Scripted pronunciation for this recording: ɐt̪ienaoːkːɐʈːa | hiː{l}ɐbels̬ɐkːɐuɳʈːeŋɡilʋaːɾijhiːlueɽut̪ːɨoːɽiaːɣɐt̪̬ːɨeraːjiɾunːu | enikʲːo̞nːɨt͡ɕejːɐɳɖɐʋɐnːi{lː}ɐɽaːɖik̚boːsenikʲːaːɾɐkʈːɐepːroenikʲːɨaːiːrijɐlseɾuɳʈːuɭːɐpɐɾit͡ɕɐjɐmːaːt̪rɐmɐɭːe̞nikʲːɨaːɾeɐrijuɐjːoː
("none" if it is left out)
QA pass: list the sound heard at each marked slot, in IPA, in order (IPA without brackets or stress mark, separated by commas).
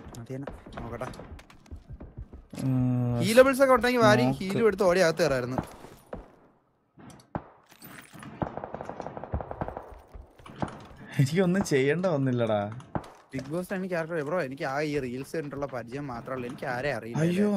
l, lː